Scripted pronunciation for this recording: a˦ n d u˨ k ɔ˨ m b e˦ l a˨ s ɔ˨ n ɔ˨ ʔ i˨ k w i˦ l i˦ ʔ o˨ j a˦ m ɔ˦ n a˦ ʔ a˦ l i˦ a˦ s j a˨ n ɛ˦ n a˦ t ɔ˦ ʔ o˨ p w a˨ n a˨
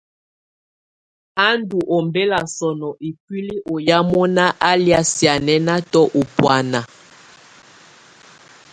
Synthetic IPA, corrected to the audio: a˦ n d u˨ ʔ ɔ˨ m b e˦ l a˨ s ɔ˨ n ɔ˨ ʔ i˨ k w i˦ l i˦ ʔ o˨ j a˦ m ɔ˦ n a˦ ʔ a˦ l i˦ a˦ s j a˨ n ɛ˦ n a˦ t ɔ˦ ʔ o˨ p w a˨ n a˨